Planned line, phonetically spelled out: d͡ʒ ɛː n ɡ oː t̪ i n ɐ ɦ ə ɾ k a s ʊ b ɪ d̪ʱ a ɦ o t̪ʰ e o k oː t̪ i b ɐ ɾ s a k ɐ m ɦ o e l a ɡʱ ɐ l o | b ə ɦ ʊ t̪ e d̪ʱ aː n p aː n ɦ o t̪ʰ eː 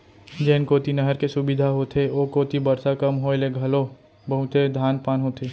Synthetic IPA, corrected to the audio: d͡ʒ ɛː n k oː t̪ i n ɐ ɦ ə ɾ k e s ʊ b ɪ d̪ʱ a ɦ o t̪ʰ e o k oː t̪ i b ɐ ɾ s a k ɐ m ɦ o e l e ɡʱ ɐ l o | b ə ɦ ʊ t̪ e d̪ʱ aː n p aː n ɦ o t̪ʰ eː

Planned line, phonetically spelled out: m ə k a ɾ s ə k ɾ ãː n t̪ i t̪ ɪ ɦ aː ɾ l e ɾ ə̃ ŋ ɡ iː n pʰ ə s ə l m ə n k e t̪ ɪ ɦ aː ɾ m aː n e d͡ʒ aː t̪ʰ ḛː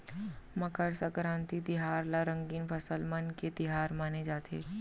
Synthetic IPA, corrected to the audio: m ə k ə ɾ s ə k ɾ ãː n t̪ i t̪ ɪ ɦ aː ɾ l a ɾ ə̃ ŋ ɡ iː n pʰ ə s ə l m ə n k e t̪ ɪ ɦ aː ɾ m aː n e d͡ʒ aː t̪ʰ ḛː

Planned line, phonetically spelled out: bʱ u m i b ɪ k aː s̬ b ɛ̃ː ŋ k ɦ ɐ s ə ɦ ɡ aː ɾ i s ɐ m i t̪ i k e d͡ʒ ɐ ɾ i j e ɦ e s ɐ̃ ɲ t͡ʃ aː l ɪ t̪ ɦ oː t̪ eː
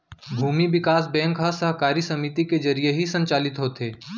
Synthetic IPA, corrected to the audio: bʱ uː m i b ɪ k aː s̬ b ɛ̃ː ŋ k ɦ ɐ s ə ɦ k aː ɾ i s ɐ m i t̪ i k e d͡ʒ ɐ ɾ i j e ɦ i s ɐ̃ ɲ t͡ʃ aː l ɪ t̪ ɦ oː t̪ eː

